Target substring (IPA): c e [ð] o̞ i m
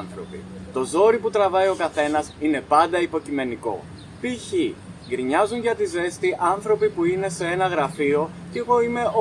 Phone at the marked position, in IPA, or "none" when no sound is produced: ɣ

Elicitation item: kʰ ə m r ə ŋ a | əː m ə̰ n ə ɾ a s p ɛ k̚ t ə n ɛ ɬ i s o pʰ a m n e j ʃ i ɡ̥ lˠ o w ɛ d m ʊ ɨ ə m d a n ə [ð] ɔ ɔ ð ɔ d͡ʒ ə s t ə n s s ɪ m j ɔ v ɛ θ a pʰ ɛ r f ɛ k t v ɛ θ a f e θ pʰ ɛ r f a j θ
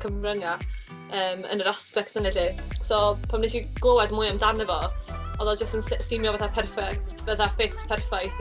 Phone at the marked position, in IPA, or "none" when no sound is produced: v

